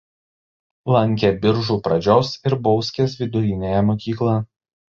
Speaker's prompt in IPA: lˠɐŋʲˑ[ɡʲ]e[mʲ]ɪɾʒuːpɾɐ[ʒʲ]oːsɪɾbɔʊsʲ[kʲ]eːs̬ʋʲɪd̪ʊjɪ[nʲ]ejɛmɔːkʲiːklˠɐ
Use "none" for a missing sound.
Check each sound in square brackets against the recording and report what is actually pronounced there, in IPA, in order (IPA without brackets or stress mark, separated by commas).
kʲ, bʲ, d͡ʒʲ, kʲ, nʲ